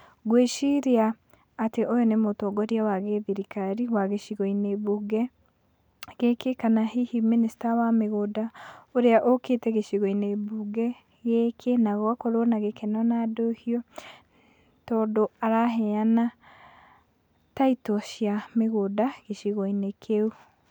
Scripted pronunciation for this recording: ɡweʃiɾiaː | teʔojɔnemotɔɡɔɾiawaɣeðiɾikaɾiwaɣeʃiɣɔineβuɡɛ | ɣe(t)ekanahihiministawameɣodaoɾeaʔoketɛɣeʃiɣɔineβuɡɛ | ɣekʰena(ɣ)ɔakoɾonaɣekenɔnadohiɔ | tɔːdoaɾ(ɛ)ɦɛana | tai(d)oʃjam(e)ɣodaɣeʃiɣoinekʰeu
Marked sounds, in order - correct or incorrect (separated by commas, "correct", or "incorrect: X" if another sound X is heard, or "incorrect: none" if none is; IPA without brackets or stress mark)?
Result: incorrect: k, correct, incorrect: a, incorrect: t, correct